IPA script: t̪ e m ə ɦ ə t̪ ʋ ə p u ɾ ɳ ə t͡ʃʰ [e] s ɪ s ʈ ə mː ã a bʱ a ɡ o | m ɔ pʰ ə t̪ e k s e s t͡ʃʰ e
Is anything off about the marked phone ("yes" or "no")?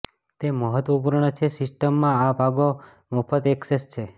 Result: no